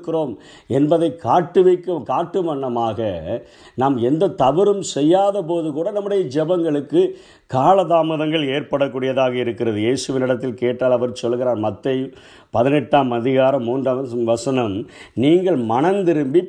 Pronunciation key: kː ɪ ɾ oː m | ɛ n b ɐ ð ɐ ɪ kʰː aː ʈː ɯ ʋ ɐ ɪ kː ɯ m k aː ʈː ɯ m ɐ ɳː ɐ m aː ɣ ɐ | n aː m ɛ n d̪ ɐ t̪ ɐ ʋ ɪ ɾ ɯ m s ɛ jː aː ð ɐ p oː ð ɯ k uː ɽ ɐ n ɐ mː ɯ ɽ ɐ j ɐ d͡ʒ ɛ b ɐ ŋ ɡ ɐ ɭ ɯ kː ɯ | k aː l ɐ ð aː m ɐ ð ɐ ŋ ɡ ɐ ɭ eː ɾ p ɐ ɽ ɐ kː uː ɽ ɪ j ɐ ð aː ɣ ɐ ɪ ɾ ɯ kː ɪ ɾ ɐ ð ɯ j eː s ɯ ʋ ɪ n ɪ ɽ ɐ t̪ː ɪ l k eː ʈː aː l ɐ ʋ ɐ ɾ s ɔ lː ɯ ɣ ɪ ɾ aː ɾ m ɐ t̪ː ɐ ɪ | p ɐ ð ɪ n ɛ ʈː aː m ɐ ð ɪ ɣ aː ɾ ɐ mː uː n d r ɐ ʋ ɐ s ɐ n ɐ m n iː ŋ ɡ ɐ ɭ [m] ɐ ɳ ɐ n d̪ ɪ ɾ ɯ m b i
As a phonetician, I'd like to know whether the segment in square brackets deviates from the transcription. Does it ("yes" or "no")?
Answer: no